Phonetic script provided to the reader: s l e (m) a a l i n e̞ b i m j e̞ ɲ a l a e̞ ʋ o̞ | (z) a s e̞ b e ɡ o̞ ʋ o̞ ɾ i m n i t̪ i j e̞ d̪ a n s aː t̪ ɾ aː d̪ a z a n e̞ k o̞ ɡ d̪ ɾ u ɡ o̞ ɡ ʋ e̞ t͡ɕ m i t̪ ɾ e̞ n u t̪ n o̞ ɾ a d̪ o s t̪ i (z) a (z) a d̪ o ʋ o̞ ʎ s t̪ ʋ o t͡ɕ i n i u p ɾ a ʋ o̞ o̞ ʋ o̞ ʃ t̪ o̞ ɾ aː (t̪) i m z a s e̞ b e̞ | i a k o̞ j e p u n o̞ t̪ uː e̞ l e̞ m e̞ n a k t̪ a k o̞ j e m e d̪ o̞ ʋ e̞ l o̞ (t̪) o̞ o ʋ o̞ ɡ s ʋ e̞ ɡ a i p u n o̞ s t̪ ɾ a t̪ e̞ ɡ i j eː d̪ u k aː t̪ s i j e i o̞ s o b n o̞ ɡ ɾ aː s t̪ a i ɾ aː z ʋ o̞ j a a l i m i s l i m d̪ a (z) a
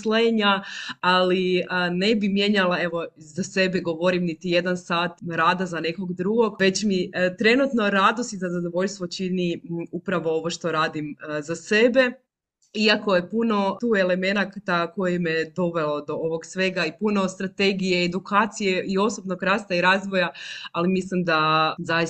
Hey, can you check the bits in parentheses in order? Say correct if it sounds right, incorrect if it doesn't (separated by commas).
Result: incorrect, correct, correct, correct, incorrect, incorrect, correct